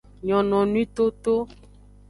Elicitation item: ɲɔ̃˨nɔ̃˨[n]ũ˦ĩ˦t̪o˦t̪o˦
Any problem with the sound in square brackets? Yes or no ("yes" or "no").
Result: no